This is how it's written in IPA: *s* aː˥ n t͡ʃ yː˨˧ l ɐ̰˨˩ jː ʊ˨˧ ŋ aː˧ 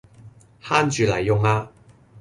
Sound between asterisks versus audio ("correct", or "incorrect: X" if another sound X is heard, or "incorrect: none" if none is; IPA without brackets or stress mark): incorrect: h